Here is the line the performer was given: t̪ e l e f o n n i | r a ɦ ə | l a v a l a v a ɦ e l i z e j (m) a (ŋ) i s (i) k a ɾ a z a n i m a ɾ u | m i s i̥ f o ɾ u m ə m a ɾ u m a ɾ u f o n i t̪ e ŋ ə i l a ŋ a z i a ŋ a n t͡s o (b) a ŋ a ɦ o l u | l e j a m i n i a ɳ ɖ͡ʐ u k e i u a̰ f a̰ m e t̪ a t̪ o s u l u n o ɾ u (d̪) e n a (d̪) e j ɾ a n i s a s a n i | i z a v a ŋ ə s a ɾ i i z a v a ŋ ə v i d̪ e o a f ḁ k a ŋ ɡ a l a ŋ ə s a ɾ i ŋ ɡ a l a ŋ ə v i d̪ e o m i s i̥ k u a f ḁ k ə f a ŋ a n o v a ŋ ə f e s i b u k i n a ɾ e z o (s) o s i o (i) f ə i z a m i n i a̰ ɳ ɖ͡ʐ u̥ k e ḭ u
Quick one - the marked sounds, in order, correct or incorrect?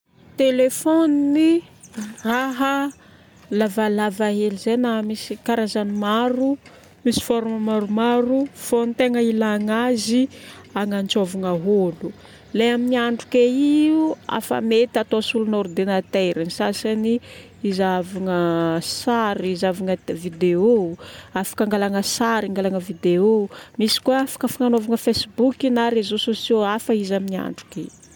incorrect: n, incorrect: m, correct, incorrect: v, correct, incorrect: t̪, correct, incorrect: a

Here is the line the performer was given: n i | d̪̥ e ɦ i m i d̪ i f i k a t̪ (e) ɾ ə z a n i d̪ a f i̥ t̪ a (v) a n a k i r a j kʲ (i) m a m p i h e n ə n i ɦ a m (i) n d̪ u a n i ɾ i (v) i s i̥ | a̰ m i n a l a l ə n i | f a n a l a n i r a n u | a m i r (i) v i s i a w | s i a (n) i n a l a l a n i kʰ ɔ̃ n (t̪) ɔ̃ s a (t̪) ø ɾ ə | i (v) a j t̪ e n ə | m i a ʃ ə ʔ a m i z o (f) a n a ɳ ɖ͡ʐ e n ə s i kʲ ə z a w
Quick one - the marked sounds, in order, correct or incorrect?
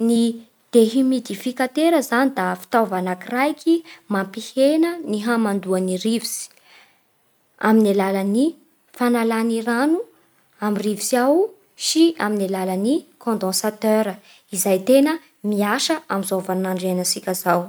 correct, correct, correct, incorrect: a, correct, correct, incorrect: m, incorrect: d̪, correct, incorrect: z, incorrect: v

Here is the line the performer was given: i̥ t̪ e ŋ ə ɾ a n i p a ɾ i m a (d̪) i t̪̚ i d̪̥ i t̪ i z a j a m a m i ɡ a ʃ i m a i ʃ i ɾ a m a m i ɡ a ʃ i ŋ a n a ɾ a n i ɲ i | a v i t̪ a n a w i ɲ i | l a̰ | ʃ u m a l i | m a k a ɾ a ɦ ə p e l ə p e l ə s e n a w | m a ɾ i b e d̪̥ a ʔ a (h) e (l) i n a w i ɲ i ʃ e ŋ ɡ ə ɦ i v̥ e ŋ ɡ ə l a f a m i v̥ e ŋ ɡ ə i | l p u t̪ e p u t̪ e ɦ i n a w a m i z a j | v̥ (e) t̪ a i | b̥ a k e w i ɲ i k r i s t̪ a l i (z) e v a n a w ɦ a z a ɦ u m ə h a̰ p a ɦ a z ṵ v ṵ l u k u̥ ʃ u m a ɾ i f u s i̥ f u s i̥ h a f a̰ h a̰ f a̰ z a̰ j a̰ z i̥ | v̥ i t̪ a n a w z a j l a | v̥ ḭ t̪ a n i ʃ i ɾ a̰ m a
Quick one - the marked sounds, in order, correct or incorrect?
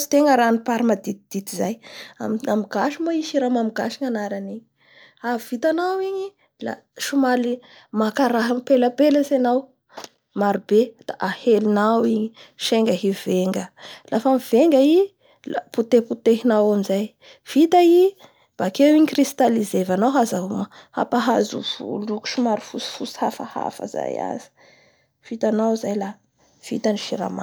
correct, correct, correct, incorrect: i, correct

